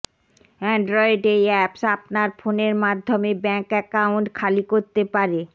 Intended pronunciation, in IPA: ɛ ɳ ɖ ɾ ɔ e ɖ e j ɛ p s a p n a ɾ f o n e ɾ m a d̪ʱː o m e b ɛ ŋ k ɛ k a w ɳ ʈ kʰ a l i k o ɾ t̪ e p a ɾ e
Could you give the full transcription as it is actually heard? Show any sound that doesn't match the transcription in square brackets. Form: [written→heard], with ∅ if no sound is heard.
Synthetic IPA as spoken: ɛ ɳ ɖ ɾ ɔ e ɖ e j ɛ p s a p n a ɾ f o n e ɾ m a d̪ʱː o m e b ɛ ŋ k ɛ k a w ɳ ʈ kʰ a l i k o ɾ t̪ e p a ɾ e